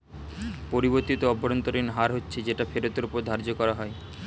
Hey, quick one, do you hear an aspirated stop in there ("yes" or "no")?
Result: no